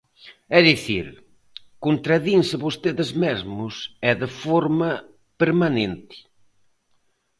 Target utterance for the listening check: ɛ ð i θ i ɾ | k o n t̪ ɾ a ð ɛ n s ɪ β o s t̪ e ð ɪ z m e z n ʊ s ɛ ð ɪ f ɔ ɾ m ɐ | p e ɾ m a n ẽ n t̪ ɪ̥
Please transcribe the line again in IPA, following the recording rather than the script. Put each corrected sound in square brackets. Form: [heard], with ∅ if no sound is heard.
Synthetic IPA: ɛ ð i θ i ɾ | k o n t̪ ɾ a ð [i] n s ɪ β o s t̪ e ð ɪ z m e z [m] ʊ s ɛ ð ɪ f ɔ ɾ m ɐ | p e ɾ m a n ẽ n t̪ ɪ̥